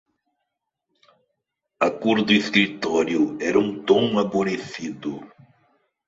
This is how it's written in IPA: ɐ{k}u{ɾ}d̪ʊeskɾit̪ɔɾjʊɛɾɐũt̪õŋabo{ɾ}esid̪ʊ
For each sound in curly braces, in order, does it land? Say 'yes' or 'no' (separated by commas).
yes, yes, yes